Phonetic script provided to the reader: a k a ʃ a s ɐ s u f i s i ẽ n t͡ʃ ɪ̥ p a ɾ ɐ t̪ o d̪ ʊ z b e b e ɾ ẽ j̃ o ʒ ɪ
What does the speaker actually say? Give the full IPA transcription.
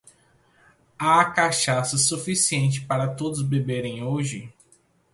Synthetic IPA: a k a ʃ a s ɐ s u f i s i ẽ n t͡ʃ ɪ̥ p a ɾ ɐ t̪ o d̪ ʊ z b e b e ɾ ẽ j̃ o ʒ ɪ